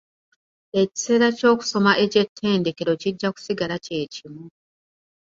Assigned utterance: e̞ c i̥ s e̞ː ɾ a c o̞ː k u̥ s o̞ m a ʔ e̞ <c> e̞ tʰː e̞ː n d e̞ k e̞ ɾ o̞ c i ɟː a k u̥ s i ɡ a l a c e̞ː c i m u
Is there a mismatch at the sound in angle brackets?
no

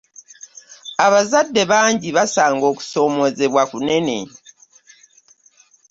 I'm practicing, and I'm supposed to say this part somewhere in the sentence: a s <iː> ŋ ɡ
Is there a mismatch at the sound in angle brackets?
yes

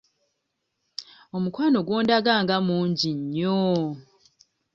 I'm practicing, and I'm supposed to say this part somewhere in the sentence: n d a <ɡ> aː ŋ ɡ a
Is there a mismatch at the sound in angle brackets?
no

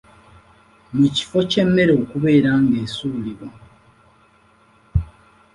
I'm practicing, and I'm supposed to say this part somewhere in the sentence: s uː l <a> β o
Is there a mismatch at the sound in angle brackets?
yes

